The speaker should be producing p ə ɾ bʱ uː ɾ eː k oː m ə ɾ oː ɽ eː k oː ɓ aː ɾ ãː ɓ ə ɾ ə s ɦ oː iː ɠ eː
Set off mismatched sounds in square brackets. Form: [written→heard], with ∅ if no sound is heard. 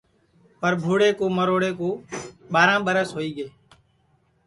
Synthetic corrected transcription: p ə ɾ bʱ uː [ɾ→ɽ] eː k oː m ə ɾ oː ɽ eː k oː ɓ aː ɾ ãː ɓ ə ɾ ə s ɦ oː iː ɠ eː